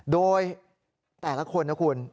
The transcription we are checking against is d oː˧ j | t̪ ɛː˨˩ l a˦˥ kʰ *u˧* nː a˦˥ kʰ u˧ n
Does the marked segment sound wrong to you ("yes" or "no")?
yes